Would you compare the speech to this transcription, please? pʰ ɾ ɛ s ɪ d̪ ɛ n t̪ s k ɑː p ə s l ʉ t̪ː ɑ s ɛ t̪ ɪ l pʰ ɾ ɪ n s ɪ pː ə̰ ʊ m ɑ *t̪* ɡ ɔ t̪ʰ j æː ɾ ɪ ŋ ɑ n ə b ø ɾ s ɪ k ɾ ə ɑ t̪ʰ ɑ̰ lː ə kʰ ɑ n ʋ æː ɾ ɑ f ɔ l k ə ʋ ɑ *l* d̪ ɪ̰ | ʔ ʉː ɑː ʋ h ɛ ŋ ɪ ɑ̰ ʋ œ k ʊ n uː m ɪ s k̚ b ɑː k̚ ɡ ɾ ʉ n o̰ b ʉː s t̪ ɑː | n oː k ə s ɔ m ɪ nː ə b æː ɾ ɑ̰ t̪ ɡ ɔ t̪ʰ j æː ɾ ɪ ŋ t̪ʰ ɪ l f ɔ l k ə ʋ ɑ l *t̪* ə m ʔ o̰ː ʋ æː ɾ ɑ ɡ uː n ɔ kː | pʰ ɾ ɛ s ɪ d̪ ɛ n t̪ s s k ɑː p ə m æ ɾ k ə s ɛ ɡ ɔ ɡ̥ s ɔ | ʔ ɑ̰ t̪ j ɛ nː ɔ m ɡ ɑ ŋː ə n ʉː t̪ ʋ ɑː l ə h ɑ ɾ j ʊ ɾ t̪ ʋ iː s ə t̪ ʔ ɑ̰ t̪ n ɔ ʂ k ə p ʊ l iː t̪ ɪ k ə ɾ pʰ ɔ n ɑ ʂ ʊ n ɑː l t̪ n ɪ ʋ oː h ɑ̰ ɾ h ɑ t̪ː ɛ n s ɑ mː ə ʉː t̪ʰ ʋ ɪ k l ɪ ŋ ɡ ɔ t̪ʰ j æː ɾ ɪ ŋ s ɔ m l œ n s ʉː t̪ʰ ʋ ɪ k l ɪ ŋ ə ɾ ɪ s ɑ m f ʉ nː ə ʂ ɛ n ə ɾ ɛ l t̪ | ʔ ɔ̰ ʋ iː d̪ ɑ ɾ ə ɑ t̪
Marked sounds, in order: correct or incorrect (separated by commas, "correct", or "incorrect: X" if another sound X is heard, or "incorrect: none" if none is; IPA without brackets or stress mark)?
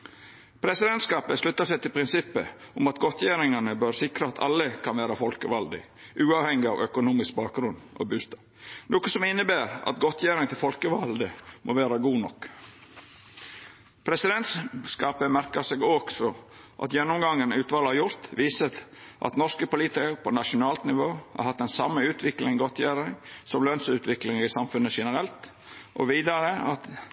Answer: correct, correct, incorrect: d̪